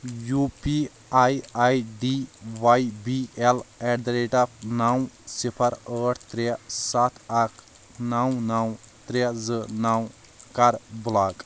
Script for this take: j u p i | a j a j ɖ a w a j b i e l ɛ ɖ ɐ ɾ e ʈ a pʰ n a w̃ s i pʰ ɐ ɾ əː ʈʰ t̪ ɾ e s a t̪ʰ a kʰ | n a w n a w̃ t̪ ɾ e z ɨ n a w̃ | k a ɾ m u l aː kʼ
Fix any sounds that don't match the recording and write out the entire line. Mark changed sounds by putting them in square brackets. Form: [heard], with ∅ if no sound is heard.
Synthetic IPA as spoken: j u p i | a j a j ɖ [i] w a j b i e l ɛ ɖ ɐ ɾ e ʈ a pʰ n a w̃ s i pʰ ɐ ɾ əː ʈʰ t̪ ɾ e s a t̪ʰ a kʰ | n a w n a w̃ t̪ ɾ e z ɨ n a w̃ | k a ɾ [b] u l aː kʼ